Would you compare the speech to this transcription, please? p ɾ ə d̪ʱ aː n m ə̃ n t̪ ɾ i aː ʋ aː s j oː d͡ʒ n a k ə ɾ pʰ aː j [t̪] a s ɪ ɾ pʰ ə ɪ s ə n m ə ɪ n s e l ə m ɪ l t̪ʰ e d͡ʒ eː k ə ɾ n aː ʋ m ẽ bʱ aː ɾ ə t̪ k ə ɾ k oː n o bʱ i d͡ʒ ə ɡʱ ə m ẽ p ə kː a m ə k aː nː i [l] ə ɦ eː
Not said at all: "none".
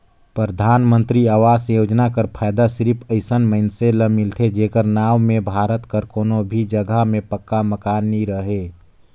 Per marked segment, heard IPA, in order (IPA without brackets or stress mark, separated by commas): d̪, ɾ